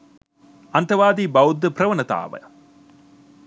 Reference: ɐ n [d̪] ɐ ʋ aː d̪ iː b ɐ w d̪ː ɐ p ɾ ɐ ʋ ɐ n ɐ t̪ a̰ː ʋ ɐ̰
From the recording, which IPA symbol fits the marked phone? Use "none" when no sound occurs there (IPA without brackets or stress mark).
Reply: t̪